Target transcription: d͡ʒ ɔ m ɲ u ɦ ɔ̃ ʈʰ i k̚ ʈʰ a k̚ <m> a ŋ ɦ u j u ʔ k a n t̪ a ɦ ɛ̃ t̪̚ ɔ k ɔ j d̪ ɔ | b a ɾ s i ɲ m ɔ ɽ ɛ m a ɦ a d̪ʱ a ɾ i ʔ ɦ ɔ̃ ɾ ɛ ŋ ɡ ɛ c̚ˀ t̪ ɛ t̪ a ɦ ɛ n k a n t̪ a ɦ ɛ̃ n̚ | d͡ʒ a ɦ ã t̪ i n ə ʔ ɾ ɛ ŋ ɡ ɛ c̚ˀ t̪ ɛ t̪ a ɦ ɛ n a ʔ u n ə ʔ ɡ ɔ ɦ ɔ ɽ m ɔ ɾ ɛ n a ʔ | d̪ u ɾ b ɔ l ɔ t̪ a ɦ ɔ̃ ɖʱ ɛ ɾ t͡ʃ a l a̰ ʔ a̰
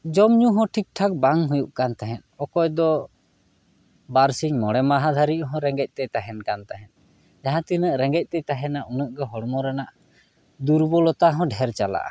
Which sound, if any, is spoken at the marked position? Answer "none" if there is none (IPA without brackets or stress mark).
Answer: b